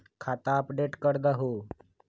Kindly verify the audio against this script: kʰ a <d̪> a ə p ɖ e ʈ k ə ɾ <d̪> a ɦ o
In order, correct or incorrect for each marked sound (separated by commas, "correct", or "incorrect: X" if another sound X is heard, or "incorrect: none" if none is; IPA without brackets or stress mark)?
incorrect: t̪, correct